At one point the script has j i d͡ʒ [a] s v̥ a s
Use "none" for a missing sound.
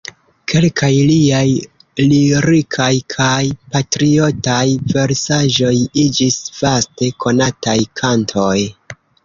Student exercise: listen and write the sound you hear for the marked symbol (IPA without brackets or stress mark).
i